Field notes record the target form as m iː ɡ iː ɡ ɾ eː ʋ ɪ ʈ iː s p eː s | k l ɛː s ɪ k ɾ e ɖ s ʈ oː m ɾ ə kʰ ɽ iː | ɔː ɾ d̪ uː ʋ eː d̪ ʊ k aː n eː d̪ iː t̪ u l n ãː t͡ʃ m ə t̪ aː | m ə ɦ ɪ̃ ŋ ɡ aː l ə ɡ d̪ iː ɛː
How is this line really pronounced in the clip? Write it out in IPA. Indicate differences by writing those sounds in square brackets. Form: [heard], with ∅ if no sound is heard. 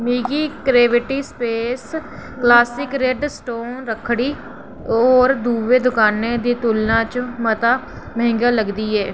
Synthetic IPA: m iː ɡ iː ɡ ɾ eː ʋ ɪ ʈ iː s p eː s | k l [aː] s ɪ k ɾ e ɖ s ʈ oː [n] ɾ ə kʰ ɽ iː | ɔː ɾ d̪ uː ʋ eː d̪ ʊ k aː n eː d̪ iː t̪ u l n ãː t͡ʃ m ə t̪ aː | m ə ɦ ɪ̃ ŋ ɡ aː l ə ɡ d̪ iː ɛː